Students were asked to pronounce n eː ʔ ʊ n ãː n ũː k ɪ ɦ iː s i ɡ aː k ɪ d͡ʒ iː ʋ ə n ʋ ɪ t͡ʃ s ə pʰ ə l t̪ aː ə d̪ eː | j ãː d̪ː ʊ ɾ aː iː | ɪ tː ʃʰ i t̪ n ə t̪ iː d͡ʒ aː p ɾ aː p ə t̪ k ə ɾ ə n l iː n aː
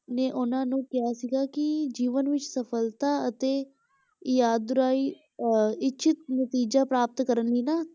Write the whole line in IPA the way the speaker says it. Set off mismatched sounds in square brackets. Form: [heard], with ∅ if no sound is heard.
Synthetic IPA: n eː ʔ ʊ n ãː n ũː k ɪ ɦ [aː] s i ɡ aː k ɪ d͡ʒ iː ʋ ə n ʋ ɪ t͡ʃ s ə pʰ ə l t̪ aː ə [t̪] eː | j [aː] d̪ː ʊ ɾ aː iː | ɪ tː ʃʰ [ɪ] t̪ n ə t̪ iː d͡ʒ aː p ɾ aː p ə t̪ k ə ɾ ə n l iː n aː